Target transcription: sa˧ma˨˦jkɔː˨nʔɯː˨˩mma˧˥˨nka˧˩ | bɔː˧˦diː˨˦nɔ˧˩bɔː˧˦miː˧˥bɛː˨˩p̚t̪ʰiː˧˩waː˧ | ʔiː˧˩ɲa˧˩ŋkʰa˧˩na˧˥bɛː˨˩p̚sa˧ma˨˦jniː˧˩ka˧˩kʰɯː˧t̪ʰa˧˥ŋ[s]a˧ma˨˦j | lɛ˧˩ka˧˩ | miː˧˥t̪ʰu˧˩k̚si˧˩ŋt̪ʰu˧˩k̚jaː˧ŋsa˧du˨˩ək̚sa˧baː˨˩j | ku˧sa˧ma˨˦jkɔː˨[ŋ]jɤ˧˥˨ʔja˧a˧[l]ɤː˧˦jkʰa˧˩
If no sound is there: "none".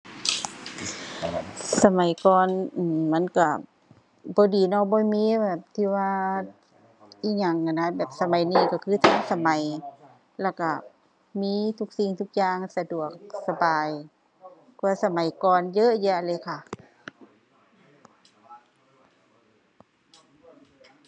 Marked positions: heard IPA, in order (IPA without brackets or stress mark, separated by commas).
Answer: s, n, l